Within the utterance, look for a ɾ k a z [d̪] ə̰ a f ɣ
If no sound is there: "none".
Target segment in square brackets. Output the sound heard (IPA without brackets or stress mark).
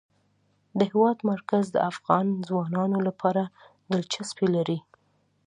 d̪